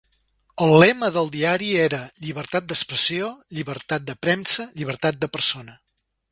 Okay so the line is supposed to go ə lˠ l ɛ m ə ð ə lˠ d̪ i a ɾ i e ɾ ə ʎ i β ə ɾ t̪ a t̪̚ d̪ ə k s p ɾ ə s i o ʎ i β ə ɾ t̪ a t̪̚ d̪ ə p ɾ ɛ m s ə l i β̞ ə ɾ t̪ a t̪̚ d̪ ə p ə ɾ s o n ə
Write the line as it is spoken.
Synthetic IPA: ə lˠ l ɛ m ə ð ə lˠ d̪ i a ɾ i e ɾ ə ʎ i β ə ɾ t̪ a t̪̚ d̪ ə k s p ɾ ə s i o ʎ i β ə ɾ t̪ a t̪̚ d̪ ə p ɾ ɛ m s ə ʎ i β̞ ə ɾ t̪ a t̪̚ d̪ ə p ə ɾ s o n ə